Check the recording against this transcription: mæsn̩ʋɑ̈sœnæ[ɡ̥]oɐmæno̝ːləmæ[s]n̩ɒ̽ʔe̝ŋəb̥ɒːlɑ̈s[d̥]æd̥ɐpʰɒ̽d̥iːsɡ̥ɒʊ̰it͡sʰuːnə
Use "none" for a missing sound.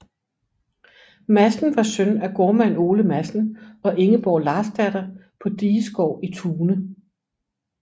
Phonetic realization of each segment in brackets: ɡ̥, s, d̥

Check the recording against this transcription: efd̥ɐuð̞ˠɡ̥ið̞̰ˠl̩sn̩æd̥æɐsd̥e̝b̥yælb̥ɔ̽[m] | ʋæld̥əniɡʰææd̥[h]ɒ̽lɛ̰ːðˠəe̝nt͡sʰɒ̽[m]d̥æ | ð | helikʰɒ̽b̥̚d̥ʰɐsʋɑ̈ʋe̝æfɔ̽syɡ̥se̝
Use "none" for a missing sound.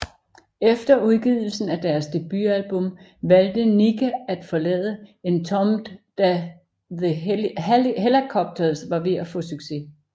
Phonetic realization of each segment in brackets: m, f, m

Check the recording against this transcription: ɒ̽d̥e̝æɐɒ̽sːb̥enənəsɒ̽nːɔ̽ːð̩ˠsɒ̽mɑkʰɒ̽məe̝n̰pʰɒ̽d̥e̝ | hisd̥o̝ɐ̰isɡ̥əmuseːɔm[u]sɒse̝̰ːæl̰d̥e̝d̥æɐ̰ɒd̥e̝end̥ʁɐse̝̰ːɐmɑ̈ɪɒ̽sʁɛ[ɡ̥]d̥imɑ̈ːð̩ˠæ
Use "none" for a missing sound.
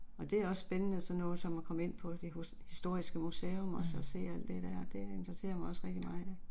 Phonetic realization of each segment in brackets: ɒ, ɡ̥

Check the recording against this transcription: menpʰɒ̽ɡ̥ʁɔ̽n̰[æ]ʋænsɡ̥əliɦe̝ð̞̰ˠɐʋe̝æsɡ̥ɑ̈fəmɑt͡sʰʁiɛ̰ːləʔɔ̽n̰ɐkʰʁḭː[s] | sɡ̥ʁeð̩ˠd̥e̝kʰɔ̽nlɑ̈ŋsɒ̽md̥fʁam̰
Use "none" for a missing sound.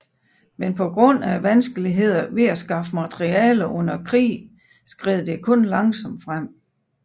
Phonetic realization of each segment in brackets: æ, none

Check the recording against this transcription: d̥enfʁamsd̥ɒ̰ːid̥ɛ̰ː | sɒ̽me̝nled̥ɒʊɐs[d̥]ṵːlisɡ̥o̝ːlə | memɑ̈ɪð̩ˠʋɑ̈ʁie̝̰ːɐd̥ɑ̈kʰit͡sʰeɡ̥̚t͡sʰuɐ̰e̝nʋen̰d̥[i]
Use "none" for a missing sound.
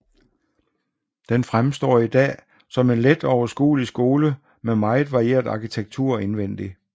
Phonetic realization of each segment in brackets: ɡ̥, i

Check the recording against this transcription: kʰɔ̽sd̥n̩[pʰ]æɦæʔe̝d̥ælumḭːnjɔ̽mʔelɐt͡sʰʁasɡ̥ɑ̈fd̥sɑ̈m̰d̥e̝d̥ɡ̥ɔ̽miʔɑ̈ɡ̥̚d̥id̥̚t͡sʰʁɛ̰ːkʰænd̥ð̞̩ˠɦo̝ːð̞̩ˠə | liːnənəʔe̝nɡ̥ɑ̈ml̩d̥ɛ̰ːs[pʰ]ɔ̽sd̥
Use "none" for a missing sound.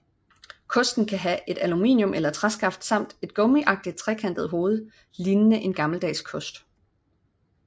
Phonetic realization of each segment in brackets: kʰ, kʰ

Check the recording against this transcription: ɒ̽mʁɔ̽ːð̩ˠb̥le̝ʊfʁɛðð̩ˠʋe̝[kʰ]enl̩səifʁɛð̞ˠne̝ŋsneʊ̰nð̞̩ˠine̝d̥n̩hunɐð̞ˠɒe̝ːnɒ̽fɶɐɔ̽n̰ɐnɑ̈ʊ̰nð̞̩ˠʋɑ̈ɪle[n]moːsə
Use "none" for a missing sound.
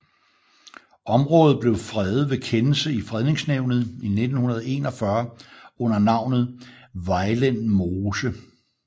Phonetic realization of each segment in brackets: kʰ, n

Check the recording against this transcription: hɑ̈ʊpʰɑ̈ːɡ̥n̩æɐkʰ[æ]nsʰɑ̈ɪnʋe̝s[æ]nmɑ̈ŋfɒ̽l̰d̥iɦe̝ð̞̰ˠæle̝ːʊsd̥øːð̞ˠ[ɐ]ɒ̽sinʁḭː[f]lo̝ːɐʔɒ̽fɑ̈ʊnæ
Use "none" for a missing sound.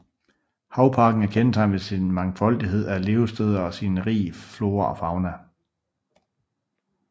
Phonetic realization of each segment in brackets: e, i, ɐ, f

